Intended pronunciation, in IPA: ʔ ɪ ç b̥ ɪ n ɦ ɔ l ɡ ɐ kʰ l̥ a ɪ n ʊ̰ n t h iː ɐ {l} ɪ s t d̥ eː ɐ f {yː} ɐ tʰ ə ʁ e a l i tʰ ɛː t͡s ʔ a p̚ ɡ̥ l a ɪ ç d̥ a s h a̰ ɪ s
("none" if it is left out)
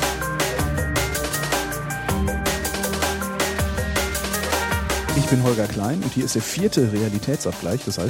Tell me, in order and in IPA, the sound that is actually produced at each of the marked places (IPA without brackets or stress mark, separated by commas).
none, iː